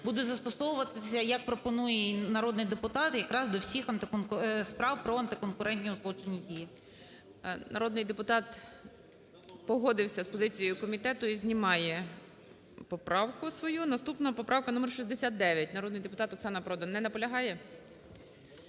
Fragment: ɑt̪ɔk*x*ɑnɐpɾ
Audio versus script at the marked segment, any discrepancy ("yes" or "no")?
yes